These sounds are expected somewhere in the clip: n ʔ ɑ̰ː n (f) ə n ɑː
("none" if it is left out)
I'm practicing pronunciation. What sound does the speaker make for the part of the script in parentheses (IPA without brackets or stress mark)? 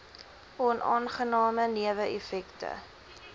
χ